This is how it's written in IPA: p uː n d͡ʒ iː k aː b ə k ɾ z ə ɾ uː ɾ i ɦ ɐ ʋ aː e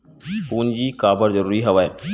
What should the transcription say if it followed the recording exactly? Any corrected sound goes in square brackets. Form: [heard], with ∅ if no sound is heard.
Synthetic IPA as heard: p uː n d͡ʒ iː k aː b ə [∅] ɾ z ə ɾ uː ɾ i ɦ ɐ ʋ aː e

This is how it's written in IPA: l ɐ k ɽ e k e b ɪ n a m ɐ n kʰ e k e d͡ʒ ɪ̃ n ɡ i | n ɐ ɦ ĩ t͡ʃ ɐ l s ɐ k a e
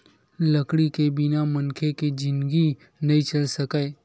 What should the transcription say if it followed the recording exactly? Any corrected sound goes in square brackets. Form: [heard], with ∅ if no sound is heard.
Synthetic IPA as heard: l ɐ k ɽ [i] k e b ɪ n a m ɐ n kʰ e k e d͡ʒ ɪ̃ n ɡ i | n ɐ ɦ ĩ t͡ʃ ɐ l s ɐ k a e

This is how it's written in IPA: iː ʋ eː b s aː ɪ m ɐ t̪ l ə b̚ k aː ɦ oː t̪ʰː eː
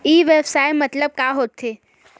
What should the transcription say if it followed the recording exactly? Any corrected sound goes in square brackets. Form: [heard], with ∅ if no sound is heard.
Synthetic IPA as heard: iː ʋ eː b s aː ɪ m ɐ t̪ l ə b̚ k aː ɦ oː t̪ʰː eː

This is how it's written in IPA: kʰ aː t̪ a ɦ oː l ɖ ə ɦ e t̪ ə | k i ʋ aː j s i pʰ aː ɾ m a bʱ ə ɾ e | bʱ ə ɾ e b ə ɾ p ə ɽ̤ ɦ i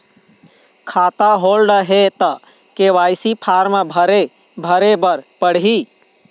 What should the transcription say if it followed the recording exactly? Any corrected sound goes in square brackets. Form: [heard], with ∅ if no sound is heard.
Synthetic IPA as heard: kʰ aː t̪ a ɦ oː l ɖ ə ɦ e t̪ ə | k [e] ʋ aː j s i pʰ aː ɾ m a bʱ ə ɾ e | bʱ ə ɾ e b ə ɾ p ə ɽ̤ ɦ i

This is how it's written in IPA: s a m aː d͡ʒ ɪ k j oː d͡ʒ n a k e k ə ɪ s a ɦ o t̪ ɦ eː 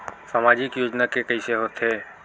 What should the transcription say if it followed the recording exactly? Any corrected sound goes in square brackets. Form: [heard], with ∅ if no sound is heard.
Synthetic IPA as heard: s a m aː d͡ʒ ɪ k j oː d͡ʒ n a k e k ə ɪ s [e] ɦ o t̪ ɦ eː

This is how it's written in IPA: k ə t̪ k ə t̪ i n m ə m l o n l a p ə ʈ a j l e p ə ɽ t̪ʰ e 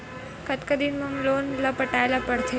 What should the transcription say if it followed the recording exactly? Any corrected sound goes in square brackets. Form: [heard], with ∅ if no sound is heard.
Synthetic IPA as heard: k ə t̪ k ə [d̪] i n m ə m l o n l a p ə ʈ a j l [a] p ə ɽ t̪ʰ e

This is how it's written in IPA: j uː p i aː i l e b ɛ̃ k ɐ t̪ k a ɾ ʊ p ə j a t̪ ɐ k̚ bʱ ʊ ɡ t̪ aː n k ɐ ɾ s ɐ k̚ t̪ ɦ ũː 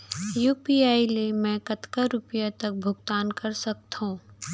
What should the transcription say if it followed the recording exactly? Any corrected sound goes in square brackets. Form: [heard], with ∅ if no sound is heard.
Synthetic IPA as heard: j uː p i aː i l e [m] ɛ̃ k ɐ t̪ k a ɾ ʊ p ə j a t̪ ɐ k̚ bʱ ʊ ɡ t̪ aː n k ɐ ɾ s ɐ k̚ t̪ ɦ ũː

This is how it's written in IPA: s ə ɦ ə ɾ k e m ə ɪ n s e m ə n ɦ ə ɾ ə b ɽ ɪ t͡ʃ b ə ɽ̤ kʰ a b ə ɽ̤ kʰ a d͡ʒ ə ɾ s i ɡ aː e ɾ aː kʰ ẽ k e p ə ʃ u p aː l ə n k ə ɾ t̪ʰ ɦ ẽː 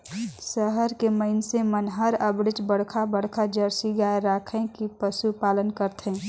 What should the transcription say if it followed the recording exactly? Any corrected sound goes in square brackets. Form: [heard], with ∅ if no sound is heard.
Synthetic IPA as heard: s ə ɦ ə ɾ k e m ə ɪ n s e m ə n ɦ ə ɾ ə b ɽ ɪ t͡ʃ b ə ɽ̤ kʰ a b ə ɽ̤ kʰ a d͡ʒ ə ɾ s i ɡ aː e ɾ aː kʰ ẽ k [i] p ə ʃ u p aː l ə n k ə ɾ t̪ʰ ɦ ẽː

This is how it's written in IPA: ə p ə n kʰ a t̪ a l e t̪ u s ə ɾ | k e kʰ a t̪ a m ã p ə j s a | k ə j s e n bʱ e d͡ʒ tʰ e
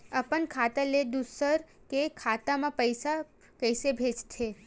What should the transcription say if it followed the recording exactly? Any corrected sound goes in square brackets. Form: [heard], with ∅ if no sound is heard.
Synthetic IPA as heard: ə p ə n kʰ a t̪ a l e [d̪] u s ə ɾ | k e kʰ a t̪ a m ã p ə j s a | k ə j s e [∅] bʱ e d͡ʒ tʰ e

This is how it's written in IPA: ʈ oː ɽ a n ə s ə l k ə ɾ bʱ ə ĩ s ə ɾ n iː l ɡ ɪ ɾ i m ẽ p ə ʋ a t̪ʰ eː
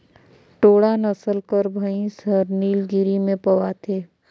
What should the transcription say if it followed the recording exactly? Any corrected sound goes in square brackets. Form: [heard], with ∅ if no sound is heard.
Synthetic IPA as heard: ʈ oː ɽ a n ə s ə l k ə ɾ bʱ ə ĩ s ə ɾ n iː l ɡ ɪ ɾ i m ẽ p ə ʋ a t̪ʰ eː

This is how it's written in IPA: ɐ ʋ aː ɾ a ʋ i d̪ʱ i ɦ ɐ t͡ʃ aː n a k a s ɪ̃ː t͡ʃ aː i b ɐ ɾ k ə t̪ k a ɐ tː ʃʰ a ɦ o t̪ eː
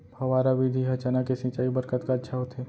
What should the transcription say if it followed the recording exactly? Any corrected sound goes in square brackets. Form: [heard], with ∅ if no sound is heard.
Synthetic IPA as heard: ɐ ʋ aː ɾ a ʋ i d̪ʱ i ɦ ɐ t͡ʃ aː n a k [e] s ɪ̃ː t͡ʃ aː i b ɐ ɾ k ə t̪ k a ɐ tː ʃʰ a ɦ o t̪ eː

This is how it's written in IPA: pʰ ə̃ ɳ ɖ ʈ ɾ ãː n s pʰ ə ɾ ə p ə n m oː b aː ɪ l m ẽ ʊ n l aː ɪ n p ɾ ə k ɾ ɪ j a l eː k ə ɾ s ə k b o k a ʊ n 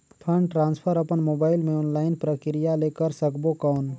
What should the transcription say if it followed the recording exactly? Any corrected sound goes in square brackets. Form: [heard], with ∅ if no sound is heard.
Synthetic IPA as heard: pʰ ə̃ ɳ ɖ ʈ ɾ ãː n s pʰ ə ɾ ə p ə n m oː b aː ɪ l m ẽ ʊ n l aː ɪ n p ɾ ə k ɾ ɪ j a l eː k ə ɾ s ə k b o k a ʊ n

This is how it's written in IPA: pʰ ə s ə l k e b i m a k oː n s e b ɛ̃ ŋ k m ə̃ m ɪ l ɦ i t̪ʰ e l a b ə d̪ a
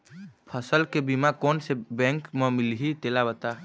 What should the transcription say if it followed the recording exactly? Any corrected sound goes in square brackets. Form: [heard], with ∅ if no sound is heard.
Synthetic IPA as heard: pʰ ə s ə l k e b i m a k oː n s e b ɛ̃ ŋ k m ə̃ m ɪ l ɦ i [t̪] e l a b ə [t̪] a

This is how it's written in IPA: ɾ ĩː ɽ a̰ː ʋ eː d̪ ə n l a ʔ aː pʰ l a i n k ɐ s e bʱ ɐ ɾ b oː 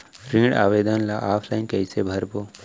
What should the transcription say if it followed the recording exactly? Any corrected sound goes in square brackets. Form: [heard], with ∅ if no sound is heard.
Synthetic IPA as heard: ɾ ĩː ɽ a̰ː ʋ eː d̪ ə n l a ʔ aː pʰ l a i n k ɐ s e bʱ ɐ ɾ b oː

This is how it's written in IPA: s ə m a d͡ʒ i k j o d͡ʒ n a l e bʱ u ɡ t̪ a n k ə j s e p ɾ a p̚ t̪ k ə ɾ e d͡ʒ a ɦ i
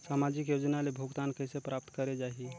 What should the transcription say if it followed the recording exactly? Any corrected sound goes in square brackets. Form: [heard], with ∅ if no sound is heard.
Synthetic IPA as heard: s [a] m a d͡ʒ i k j o d͡ʒ n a l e bʱ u ɡ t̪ a n k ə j s e p ɾ a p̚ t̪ k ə ɾ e d͡ʒ a ɦ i

